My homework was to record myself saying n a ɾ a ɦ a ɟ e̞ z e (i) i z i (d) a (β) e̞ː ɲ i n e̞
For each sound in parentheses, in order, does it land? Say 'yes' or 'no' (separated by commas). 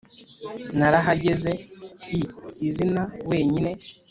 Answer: yes, no, no